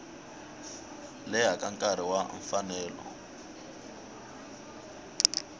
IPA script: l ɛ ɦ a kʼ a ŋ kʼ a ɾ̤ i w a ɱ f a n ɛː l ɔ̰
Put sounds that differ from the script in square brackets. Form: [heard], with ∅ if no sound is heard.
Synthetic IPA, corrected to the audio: l ɛ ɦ a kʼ a ŋ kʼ a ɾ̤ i w a ɱ f a n ɛː l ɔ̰